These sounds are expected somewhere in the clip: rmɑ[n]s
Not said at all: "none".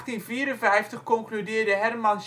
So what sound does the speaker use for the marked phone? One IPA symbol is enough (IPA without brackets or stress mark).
n